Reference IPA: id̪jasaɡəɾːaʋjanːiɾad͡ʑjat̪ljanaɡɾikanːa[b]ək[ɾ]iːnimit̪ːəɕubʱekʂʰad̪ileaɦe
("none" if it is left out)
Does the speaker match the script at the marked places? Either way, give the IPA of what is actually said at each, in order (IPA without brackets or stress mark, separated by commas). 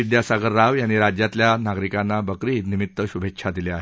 b, ɾ